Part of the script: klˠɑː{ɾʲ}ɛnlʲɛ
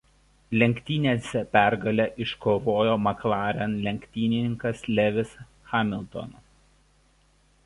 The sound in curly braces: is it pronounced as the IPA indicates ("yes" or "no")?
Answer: yes